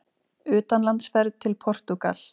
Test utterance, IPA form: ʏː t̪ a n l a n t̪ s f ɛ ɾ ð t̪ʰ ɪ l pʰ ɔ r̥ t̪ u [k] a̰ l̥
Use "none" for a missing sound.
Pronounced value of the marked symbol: k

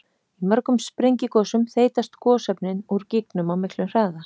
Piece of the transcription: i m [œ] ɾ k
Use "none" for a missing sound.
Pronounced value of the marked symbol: œ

